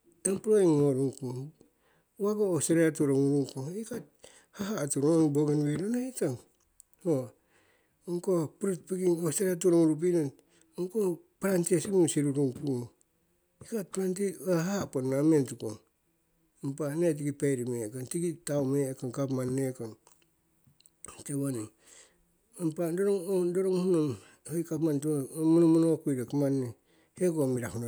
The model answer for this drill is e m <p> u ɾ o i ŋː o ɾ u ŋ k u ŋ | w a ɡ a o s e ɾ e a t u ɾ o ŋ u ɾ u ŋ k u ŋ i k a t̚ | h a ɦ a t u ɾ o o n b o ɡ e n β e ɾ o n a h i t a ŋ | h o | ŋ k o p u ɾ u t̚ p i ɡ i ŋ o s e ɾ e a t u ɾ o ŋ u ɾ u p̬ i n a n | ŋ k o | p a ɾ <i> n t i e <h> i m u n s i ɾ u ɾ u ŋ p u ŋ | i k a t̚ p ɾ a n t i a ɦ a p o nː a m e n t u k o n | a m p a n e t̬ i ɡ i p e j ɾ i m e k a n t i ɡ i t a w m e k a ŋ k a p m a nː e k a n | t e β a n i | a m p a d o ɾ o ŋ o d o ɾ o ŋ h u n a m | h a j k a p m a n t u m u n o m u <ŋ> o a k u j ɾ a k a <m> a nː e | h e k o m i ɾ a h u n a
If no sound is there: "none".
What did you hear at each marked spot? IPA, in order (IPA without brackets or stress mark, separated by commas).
p, a, s, n, m